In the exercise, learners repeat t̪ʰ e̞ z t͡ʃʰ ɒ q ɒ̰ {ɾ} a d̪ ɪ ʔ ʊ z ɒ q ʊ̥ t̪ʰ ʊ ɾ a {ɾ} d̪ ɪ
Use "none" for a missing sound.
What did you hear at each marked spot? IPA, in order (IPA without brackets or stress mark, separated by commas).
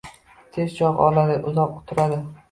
l, none